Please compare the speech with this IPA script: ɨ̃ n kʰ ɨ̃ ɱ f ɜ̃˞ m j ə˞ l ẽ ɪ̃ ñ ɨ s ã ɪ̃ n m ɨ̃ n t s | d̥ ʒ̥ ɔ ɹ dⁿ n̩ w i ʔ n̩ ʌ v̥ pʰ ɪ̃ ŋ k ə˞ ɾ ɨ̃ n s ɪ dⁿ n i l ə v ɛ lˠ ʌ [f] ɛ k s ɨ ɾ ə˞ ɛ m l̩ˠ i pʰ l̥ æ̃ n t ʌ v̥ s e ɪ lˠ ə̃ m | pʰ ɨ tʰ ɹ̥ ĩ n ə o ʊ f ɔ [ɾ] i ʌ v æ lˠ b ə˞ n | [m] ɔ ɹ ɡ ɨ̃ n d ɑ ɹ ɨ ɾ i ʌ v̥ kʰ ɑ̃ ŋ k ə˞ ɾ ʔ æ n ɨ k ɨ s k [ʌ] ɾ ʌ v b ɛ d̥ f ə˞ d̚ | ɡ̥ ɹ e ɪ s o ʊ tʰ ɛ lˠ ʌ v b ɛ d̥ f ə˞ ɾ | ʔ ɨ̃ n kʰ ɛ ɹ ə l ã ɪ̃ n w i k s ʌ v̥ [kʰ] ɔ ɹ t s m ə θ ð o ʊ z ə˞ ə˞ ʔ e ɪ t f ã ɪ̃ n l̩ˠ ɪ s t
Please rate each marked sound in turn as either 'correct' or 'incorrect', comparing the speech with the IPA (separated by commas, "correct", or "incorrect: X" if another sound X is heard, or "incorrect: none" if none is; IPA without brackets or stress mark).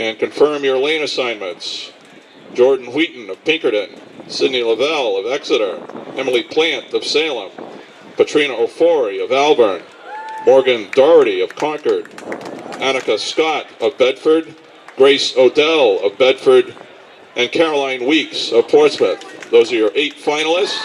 incorrect: v, incorrect: ɹ, correct, incorrect: ɑ, incorrect: pʰ